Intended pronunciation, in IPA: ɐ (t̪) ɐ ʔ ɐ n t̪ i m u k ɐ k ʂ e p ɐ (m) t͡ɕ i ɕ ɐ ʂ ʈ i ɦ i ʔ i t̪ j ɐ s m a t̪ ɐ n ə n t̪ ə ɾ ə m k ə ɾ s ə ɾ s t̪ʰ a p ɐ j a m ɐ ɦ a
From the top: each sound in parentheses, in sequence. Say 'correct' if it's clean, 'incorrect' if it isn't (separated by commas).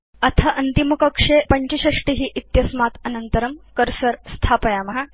incorrect, incorrect